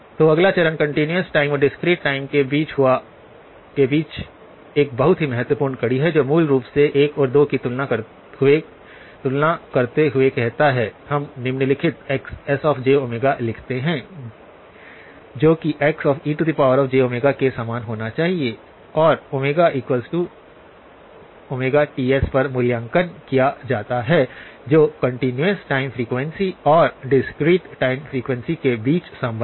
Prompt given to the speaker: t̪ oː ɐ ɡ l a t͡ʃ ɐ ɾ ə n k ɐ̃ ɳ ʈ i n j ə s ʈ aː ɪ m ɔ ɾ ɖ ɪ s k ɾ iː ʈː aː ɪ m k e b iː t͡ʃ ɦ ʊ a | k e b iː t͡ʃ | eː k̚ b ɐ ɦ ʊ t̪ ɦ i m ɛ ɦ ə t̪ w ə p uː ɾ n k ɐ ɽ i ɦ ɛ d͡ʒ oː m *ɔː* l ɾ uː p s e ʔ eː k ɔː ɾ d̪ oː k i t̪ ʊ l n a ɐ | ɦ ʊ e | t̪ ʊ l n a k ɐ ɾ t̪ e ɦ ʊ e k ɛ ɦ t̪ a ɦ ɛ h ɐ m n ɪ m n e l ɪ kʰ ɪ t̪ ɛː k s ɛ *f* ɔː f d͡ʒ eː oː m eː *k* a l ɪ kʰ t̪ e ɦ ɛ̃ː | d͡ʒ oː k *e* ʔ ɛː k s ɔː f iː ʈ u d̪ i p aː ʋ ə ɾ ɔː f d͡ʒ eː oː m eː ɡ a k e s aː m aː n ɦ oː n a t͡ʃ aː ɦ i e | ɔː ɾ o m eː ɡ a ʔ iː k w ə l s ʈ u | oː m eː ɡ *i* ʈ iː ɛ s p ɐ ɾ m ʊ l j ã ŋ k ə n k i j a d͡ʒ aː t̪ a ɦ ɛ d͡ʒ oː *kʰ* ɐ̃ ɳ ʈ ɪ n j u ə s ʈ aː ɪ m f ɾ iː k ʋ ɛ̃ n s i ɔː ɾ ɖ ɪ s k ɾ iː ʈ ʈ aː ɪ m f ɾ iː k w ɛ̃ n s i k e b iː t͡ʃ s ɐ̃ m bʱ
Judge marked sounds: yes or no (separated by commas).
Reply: no, no, no, no, no, no